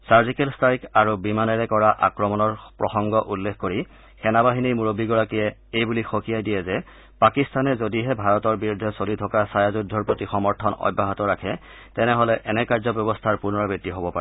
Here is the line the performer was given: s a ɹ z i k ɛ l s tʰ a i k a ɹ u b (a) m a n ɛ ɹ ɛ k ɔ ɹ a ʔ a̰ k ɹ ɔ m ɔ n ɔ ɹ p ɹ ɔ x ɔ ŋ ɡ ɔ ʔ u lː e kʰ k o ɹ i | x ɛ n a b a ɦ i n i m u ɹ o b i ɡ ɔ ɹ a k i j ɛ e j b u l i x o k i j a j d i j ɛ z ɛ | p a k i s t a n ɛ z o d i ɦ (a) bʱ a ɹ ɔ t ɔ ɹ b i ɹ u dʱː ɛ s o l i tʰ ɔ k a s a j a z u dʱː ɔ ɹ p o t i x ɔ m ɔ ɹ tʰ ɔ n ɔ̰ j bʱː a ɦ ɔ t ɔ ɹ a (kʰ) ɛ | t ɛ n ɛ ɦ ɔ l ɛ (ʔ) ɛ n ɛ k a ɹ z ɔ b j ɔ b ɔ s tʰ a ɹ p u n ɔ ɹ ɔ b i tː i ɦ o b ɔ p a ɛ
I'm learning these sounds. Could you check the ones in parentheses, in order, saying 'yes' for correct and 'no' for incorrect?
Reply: no, no, yes, yes

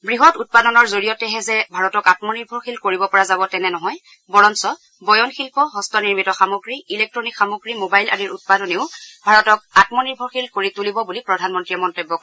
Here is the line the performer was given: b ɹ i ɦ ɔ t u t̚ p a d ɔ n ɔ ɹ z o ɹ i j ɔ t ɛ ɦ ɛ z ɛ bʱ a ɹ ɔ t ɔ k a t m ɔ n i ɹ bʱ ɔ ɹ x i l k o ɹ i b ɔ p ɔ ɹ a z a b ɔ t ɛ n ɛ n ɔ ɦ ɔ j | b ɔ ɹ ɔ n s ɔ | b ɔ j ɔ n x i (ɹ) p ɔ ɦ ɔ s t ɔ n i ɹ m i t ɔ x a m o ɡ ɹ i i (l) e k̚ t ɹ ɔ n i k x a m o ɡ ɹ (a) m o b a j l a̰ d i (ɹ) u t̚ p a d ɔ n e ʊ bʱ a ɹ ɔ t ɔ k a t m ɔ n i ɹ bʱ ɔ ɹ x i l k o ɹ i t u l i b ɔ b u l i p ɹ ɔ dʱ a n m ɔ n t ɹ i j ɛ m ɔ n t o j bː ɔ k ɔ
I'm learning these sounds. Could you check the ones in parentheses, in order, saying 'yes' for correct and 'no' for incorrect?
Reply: no, yes, no, yes

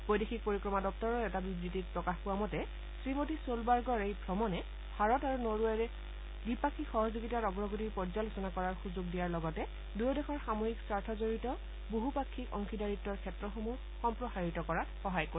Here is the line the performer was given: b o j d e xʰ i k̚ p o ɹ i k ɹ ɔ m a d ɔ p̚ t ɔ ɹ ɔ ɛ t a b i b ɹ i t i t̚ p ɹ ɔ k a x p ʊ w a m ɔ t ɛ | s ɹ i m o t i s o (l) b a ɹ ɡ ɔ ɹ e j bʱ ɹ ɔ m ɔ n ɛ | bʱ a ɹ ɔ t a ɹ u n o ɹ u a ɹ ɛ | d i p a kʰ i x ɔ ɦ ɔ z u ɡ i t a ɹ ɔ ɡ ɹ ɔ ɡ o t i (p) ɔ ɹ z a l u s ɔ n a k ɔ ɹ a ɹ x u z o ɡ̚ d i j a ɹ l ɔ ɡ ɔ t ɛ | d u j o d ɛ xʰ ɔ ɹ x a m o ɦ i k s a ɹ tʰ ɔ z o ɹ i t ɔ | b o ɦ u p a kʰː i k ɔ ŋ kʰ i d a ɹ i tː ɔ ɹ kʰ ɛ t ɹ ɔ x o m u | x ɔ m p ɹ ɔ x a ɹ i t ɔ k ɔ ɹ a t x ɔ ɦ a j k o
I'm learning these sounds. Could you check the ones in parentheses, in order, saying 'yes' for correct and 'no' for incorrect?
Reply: yes, yes

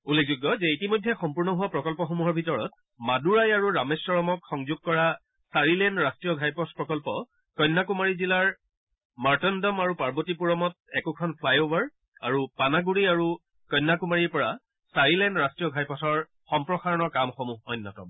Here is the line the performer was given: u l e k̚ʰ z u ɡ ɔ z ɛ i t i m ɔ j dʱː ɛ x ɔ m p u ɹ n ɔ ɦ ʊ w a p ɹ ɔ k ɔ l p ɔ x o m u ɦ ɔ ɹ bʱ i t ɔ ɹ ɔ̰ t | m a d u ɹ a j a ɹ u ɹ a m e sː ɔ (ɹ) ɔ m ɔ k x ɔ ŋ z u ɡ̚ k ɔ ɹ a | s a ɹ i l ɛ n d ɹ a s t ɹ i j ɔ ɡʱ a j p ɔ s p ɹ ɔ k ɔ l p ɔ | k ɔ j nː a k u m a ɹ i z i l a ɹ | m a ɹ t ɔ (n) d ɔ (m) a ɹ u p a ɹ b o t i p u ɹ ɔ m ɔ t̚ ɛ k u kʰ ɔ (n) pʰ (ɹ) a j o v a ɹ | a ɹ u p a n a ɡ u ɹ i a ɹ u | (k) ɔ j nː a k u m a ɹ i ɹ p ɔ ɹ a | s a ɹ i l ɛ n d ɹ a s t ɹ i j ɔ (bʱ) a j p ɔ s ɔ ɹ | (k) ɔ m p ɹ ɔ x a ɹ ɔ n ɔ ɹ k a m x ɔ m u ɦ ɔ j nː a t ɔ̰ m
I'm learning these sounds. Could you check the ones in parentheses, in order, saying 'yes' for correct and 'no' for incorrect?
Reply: yes, yes, yes, yes, no, yes, no, no

